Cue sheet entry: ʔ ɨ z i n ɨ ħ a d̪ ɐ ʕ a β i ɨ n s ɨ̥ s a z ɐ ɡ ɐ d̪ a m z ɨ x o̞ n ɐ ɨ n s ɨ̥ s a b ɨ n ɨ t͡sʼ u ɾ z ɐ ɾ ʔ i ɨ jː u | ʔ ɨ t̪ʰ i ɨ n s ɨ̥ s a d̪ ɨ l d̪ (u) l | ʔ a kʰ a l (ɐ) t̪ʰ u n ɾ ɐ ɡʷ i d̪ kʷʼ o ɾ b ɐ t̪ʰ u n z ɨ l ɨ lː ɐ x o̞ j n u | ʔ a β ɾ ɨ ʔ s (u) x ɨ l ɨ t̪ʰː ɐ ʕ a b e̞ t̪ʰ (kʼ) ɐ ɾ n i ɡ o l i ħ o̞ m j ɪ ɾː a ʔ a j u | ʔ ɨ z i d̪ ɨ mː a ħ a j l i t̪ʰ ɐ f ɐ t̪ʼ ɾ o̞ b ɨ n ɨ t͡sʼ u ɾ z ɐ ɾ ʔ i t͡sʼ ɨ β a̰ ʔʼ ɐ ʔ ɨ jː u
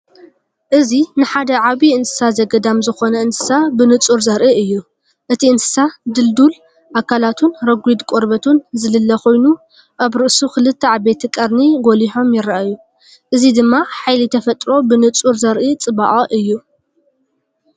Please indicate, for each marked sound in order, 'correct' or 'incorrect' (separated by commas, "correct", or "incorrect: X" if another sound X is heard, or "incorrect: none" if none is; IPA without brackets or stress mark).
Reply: correct, incorrect: a, correct, correct